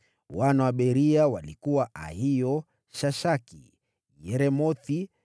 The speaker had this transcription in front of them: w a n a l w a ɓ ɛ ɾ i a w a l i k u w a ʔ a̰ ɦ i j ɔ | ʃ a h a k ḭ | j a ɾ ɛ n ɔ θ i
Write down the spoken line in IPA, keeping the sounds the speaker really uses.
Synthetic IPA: w a n a w a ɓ ɛ ɾ i a w a l i k u w a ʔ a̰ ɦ i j ɔ | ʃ a ʃ a k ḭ | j ɛ ɾ ɛ m ɔ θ i